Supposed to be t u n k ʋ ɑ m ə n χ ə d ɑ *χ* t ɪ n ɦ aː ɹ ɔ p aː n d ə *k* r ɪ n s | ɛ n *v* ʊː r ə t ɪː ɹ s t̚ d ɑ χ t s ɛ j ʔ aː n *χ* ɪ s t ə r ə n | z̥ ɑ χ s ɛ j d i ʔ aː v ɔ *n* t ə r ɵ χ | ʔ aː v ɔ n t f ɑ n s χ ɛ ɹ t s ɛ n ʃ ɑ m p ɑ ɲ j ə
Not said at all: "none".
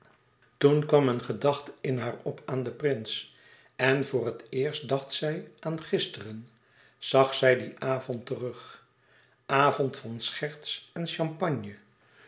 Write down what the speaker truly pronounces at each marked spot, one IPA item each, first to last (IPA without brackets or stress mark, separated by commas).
χ, p, v, χ, n